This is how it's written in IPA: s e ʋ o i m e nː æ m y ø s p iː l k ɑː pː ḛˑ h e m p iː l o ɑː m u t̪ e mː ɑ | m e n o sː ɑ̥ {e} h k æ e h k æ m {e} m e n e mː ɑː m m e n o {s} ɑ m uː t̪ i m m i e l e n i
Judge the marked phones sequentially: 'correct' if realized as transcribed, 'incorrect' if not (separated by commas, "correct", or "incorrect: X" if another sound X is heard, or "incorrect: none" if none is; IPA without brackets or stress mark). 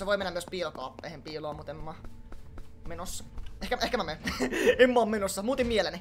correct, incorrect: æ, incorrect: sː